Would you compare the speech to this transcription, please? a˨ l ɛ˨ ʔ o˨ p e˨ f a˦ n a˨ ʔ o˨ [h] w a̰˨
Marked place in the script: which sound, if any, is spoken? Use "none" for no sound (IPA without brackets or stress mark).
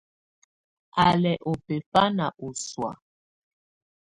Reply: s